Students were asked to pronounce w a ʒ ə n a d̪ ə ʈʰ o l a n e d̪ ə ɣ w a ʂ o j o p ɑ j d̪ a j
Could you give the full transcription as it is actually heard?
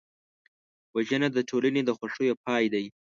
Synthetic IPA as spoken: w a ʒ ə n a d̪ ə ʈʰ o l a n e d̪ ə x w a ʂ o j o p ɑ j d̪ a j